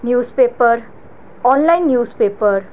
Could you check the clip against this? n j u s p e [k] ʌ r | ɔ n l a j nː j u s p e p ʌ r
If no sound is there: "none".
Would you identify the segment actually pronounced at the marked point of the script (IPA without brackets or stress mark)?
p